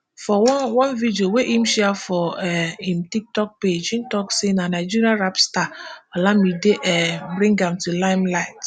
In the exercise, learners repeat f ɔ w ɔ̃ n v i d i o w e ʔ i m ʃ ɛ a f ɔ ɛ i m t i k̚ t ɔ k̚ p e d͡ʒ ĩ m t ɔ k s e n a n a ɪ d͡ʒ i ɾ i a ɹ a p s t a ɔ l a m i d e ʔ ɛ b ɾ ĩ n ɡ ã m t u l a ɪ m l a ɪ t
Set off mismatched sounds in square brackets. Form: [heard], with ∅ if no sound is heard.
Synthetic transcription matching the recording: f ɔ w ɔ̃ n v i d i o w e ʔ i m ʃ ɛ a f ɔ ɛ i m t i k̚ t ɔ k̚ p e d͡ʒ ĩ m t ɔ k s e n a n a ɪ d͡ʒ i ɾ i a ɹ a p s t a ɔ l a m i d e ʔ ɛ b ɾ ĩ [ŋ] ɡ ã m t u l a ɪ m l a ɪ t